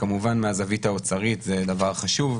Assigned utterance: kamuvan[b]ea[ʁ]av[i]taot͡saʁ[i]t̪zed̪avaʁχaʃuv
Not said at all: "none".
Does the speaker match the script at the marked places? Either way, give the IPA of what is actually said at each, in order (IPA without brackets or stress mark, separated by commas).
m, z, i, i